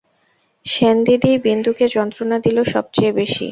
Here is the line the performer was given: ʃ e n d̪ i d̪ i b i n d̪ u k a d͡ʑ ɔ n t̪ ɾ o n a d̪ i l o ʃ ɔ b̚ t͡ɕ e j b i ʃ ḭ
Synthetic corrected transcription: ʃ e n d̪ i d̪ i b i n d̪ u k e d͡ʑ ɔ n t̪ ɾ o n a d̪ i l o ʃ ɔ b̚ t͡ɕ e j b e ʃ ḭ